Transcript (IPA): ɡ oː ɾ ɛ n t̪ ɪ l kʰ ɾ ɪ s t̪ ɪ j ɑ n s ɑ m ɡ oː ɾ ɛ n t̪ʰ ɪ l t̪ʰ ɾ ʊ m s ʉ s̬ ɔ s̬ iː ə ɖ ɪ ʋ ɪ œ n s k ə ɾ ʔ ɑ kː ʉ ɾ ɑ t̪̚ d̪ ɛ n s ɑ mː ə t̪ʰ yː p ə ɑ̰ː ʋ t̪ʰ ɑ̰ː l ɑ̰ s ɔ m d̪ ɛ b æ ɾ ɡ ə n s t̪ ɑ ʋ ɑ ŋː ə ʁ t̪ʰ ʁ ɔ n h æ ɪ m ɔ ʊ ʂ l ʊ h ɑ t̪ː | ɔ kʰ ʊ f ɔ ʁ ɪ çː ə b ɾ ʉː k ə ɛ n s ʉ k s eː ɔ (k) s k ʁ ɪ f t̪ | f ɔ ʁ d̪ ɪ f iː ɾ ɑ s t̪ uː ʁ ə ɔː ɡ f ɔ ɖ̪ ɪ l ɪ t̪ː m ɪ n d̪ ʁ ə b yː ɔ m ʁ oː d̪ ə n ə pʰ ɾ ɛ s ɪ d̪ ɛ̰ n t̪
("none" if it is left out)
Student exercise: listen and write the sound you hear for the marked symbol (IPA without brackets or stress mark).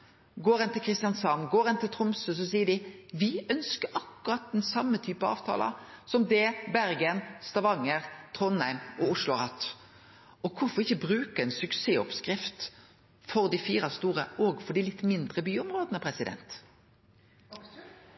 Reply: p